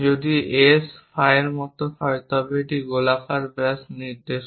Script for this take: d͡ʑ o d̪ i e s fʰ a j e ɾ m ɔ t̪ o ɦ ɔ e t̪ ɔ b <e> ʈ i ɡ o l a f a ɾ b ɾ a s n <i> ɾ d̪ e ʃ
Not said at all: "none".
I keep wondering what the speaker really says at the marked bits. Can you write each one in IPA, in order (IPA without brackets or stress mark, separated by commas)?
e, i